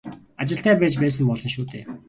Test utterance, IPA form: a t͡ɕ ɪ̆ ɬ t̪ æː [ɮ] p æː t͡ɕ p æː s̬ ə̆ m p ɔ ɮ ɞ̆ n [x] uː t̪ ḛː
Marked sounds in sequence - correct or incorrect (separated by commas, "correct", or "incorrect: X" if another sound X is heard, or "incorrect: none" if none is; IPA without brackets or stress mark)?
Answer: incorrect: none, incorrect: ʃ